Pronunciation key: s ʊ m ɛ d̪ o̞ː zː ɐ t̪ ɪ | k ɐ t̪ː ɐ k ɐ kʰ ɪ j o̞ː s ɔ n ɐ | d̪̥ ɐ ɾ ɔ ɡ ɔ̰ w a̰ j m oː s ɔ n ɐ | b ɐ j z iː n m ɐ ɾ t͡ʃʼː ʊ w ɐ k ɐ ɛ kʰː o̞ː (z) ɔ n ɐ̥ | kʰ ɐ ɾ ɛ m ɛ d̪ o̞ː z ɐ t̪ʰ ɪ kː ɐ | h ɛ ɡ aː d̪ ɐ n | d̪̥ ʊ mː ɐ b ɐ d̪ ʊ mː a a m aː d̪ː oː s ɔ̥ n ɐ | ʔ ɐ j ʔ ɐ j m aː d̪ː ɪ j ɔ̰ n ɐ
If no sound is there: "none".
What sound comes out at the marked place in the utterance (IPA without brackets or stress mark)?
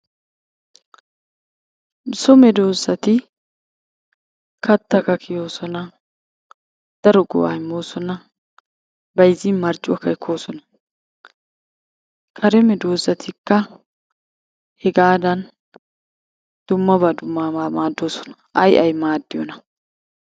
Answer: s